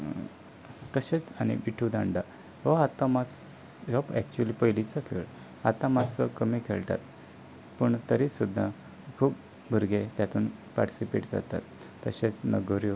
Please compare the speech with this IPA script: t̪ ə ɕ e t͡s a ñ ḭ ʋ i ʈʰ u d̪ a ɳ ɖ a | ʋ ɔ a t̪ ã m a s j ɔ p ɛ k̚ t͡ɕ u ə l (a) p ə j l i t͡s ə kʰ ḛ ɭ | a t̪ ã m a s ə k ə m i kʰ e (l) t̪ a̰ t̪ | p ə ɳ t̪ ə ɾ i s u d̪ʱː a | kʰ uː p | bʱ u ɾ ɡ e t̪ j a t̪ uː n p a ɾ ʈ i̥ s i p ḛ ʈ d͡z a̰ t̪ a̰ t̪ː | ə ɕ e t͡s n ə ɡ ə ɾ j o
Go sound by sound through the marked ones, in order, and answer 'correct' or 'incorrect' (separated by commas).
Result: incorrect, incorrect